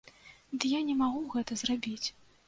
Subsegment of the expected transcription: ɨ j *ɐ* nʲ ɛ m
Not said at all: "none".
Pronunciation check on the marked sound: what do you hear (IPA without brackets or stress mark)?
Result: a